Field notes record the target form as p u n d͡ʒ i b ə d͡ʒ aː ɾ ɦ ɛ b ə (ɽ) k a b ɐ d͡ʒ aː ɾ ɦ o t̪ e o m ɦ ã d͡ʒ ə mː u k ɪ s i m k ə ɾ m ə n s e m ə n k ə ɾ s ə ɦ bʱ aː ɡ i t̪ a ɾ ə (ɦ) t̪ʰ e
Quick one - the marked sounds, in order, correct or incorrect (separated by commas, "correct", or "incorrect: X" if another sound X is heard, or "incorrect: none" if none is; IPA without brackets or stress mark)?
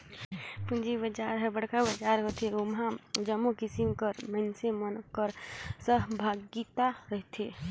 correct, correct